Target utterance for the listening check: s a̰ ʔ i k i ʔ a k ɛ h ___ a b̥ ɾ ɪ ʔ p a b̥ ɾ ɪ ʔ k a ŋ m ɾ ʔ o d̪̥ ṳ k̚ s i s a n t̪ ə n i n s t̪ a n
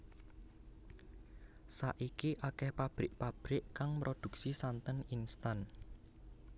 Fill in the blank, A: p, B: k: A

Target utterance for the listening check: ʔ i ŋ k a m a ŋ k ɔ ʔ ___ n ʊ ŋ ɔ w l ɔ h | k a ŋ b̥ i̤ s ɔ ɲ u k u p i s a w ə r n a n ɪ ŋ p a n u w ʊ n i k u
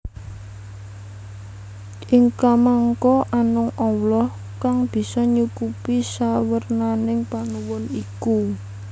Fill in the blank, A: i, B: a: B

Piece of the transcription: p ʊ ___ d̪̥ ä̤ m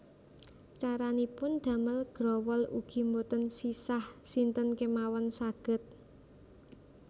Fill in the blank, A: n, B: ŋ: A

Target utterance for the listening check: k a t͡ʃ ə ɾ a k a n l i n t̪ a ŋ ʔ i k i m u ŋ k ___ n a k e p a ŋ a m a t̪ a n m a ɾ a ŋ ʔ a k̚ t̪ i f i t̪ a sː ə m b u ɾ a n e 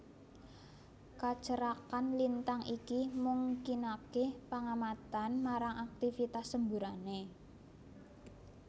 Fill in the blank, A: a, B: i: B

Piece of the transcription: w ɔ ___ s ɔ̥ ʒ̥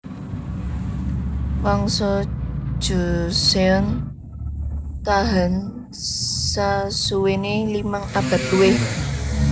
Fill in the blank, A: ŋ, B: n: A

